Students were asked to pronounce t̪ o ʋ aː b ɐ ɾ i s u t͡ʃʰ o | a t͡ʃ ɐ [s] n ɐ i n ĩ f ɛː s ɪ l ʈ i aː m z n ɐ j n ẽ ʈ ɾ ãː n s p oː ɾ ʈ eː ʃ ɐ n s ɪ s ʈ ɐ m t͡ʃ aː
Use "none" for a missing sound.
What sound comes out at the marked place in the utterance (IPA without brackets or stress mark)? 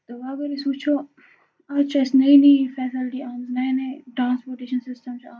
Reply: s